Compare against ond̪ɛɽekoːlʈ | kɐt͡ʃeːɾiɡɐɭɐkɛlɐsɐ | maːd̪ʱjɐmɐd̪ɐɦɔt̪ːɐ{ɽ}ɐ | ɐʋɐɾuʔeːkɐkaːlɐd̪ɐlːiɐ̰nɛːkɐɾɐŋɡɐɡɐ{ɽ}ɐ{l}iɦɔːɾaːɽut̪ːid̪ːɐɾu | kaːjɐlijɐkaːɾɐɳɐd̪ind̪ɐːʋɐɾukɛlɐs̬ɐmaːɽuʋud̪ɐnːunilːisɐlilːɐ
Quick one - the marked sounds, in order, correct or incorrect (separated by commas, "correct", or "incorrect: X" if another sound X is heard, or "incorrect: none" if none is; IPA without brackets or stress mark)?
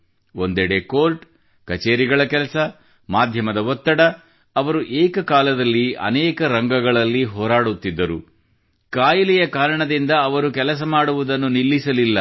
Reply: correct, incorrect: ɭ, incorrect: lː